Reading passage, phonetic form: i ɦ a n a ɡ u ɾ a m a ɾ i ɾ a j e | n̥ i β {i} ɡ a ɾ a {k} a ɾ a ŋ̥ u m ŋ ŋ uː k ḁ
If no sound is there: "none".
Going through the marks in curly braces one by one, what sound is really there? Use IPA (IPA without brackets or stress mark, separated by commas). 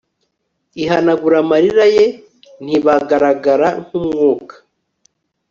a, ɡ